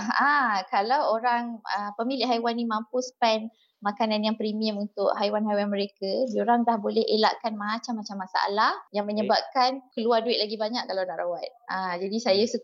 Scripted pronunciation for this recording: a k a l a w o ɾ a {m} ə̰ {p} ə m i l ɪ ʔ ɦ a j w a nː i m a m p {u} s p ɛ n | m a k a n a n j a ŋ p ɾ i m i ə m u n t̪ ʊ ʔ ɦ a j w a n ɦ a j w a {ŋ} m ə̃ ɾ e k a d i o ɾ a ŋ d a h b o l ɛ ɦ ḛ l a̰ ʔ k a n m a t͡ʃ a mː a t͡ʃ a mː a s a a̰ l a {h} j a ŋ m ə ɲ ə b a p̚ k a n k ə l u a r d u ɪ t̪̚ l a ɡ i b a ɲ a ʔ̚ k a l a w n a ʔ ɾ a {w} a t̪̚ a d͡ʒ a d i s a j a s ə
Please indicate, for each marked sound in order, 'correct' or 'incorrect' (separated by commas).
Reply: incorrect, correct, correct, incorrect, correct, correct